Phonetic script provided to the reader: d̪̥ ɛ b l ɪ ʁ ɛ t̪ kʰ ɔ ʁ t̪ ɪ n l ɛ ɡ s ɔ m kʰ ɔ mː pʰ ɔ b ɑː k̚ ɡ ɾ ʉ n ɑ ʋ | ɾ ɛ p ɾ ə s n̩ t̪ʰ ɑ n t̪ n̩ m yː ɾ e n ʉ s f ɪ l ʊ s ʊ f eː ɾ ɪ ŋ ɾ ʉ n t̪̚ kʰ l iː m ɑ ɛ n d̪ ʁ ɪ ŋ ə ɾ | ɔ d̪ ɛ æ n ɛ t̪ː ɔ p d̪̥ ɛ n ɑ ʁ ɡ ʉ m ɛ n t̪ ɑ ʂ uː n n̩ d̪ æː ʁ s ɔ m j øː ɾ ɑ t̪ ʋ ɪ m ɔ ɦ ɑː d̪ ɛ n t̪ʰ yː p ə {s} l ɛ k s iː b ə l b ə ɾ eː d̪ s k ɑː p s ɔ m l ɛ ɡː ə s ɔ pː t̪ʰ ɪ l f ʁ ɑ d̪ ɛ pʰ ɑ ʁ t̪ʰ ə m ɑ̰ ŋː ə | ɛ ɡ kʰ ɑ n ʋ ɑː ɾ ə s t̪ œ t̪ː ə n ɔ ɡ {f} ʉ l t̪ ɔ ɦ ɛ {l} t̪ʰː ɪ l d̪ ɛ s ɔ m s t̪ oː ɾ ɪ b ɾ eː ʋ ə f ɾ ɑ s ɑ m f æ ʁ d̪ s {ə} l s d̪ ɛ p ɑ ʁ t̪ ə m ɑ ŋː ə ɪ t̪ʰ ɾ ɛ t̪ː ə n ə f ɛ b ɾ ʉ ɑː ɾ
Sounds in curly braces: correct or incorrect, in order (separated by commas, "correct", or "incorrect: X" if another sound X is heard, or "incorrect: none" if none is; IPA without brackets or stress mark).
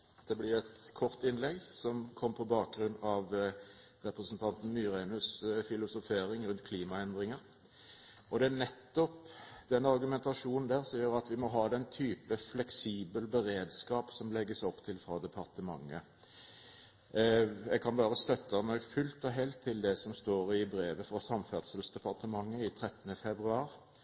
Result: incorrect: f, correct, correct, correct